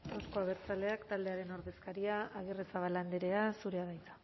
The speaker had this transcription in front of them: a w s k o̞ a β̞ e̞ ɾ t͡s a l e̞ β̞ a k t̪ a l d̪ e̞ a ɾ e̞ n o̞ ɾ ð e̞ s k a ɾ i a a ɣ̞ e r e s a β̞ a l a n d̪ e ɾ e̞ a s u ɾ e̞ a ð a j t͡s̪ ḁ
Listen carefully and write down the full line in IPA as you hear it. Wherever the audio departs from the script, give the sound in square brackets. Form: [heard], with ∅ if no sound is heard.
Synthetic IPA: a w s k o̞ a β̞ e̞ ɾ t͡s a l e̞ [∅] a k t̪ a l d̪ e̞ a ɾ e̞ n o̞ ɾ ð e̞ s k a ɾ i a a ɣ̞ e r e s a β̞ a l a n d̪ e ɾ e̞ a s u ɾ e̞ a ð a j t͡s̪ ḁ